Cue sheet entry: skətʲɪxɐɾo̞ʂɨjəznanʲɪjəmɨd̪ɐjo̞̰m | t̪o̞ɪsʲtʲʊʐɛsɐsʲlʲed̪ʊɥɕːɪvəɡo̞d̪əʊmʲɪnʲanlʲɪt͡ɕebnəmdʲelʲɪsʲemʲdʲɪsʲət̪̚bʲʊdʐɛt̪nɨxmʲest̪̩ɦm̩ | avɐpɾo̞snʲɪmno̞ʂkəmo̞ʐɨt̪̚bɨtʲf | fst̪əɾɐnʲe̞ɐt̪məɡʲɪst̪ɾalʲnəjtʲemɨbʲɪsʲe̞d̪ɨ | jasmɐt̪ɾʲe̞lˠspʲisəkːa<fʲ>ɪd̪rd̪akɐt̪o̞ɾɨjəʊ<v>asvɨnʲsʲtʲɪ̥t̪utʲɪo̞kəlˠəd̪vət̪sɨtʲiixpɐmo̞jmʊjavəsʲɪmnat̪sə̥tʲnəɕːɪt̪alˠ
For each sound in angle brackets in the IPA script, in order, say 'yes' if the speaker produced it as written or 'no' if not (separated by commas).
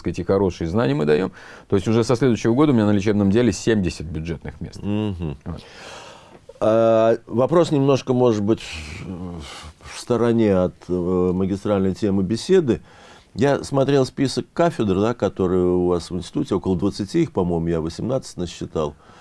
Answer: yes, yes